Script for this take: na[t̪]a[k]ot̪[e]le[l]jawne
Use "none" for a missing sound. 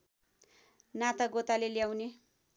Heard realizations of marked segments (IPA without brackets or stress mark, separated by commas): t̪, ɡ, a, l